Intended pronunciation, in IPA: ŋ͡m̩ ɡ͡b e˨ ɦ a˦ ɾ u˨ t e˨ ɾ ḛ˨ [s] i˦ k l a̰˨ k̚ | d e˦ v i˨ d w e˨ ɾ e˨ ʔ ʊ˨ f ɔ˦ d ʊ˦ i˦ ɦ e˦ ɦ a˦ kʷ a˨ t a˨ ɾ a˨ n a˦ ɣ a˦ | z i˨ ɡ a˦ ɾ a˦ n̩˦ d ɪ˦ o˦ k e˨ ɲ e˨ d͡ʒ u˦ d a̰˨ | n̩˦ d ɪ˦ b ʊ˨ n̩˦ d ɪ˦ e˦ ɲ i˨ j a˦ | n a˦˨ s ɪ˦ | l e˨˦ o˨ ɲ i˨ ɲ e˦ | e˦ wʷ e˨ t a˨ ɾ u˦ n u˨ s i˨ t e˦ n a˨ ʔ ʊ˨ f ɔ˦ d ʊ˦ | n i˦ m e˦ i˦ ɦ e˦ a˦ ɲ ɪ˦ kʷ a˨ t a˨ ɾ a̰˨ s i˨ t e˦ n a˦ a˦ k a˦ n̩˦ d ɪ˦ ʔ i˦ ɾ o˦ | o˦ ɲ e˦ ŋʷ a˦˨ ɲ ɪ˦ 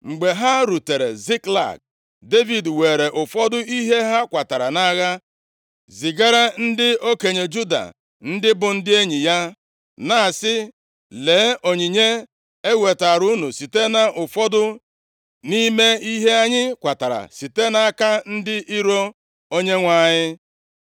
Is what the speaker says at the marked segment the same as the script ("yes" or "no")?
no